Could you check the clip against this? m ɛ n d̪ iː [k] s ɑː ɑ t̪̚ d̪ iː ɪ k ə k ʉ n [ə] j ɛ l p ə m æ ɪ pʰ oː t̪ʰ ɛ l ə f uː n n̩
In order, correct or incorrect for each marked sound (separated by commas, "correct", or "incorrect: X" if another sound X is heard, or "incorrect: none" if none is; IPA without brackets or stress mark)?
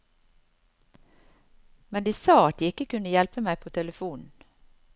incorrect: none, correct